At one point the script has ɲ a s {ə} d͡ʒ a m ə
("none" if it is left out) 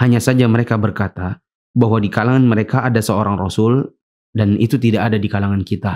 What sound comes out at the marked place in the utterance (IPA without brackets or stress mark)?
a